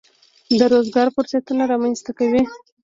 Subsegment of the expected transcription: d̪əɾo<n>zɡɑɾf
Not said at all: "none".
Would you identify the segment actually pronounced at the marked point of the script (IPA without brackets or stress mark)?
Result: none